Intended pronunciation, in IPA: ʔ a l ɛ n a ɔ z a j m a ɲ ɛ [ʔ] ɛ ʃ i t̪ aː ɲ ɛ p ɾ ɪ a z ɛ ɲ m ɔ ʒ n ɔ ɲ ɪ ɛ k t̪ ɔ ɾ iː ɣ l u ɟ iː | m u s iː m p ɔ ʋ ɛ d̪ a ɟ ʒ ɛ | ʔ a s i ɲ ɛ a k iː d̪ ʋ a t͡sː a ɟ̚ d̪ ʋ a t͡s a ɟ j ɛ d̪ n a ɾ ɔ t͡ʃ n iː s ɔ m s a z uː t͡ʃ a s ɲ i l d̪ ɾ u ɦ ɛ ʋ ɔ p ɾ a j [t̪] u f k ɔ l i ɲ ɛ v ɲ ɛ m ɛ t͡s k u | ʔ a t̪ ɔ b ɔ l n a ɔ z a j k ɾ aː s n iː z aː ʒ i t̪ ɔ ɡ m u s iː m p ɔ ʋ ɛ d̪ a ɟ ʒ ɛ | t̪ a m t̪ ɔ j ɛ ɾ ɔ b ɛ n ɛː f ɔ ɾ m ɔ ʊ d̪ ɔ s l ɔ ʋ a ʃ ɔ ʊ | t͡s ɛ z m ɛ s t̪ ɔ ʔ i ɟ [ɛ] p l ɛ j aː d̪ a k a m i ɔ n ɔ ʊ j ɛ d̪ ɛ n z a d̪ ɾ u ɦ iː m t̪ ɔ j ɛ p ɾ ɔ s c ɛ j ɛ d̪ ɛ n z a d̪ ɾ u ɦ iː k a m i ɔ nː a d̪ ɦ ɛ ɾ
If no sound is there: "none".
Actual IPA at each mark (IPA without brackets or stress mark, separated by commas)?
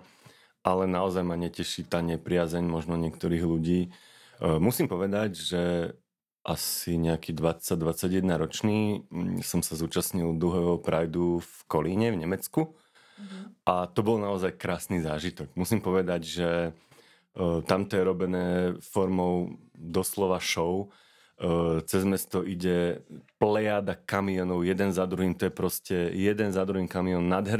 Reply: c, d̪, ɛ